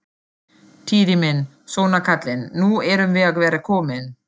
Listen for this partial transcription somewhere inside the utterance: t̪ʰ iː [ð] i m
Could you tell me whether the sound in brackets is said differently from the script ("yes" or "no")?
no